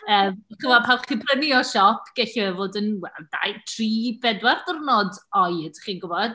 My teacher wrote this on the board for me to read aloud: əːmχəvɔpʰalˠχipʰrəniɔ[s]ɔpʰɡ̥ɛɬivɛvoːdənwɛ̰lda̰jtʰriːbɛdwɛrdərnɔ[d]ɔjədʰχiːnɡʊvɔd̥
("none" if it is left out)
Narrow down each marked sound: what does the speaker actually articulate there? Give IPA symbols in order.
ʃ, d

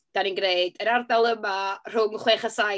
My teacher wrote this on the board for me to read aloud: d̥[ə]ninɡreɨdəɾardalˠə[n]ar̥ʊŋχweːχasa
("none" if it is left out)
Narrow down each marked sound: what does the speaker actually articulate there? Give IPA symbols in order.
a, m

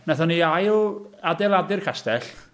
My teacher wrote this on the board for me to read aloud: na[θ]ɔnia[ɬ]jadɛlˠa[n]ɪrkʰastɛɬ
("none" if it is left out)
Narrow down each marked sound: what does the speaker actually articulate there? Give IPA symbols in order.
θ, none, d

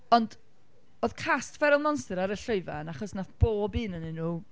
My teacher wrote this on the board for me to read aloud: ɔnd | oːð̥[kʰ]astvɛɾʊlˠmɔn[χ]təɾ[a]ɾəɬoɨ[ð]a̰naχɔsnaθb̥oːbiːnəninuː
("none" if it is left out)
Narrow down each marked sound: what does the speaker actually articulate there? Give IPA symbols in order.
kʰ, s, a, v

